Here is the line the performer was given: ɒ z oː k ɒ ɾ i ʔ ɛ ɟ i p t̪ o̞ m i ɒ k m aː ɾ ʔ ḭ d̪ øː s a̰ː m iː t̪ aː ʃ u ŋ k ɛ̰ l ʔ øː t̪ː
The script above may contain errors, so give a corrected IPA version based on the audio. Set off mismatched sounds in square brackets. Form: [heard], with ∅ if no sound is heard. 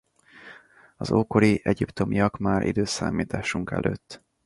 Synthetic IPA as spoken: ɒ z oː k [o] ɾ i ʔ ɛ ɟ i p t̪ o̞ m i ɒ k m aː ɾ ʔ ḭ d̪ øː s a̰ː m iː t̪ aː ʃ u ŋ k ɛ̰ l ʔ øː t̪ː